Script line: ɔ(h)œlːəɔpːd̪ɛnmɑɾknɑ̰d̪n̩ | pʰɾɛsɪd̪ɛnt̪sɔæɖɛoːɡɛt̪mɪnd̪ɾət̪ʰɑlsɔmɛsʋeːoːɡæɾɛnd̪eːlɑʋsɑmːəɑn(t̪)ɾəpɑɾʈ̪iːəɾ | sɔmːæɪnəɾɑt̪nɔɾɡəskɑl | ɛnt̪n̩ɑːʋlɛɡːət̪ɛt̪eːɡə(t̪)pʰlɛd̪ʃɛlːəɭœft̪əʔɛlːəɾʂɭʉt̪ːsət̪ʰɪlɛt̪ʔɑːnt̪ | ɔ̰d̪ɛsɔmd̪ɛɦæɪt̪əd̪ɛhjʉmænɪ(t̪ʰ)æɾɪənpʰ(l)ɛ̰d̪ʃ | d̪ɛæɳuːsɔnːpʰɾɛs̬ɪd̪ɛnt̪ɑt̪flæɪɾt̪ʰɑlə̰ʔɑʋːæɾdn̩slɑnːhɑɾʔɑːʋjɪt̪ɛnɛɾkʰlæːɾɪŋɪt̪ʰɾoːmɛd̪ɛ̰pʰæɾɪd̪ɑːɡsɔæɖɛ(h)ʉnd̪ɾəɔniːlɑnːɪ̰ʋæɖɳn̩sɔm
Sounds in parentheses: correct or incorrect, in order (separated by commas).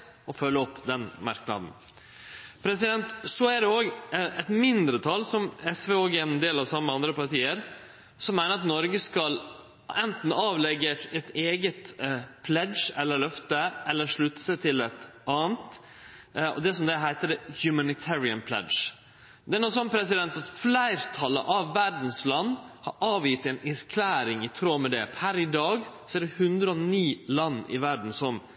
incorrect, incorrect, correct, correct, correct, correct